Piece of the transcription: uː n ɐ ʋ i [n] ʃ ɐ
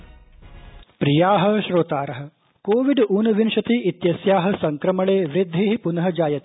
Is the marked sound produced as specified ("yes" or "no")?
yes